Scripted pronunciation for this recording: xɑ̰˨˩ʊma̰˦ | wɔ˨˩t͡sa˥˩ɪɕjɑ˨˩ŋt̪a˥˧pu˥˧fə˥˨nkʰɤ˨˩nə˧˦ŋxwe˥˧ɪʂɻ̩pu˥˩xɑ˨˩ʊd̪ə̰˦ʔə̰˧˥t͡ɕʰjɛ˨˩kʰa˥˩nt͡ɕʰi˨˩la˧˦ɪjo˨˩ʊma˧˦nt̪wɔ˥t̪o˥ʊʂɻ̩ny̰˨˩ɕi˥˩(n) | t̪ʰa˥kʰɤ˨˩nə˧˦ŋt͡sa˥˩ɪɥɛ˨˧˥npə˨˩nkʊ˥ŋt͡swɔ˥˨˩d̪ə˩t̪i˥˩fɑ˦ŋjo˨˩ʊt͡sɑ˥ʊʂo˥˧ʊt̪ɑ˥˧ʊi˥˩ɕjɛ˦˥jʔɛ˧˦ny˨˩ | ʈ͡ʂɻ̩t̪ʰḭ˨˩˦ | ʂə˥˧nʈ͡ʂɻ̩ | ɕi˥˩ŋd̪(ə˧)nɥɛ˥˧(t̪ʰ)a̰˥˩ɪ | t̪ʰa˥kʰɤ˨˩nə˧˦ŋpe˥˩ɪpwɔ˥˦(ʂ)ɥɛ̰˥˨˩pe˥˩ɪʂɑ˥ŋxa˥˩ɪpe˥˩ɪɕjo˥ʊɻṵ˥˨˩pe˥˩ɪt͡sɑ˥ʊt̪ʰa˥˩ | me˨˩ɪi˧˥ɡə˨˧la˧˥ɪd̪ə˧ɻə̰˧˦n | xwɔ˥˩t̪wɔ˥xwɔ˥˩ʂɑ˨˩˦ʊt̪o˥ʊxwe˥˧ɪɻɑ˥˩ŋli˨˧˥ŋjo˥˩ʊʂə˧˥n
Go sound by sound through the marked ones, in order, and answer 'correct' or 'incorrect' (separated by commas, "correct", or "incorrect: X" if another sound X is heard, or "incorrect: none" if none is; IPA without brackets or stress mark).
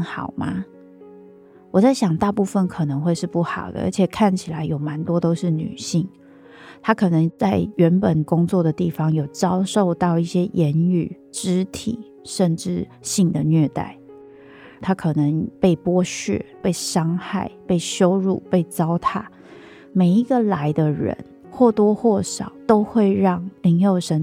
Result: incorrect: ŋ, incorrect: ə˩, incorrect: t̪, incorrect: ɕ